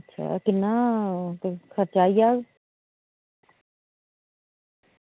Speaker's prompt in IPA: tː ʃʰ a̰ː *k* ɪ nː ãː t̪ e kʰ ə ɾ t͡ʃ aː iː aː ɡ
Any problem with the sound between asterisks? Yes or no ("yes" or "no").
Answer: no